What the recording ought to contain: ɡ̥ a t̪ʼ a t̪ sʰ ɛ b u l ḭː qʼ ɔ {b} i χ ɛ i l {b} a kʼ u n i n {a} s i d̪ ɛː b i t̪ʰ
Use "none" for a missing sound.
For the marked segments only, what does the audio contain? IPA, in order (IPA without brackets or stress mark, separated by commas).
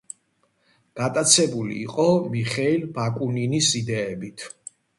m, b, i